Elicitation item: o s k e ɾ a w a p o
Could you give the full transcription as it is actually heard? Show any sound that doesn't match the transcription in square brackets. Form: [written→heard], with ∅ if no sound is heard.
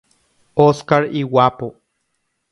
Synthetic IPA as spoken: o s k [e→a] ɾ [a→i] w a p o